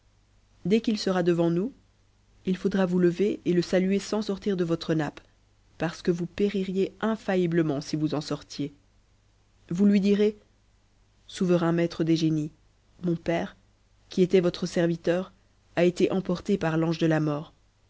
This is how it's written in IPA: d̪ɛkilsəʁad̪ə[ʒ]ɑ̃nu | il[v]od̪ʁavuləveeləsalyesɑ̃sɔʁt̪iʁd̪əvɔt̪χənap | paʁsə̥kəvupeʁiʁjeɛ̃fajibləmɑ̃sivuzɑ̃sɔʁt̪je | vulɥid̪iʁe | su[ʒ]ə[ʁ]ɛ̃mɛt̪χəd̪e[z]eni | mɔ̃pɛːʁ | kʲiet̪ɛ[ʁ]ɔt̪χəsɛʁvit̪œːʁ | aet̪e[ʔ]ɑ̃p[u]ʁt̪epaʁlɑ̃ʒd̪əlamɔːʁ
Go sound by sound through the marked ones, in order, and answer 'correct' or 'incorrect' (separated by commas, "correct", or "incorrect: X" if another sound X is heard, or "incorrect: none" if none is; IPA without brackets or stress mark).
incorrect: v, incorrect: f, incorrect: v, correct, incorrect: ʒ, incorrect: v, correct, incorrect: ɔ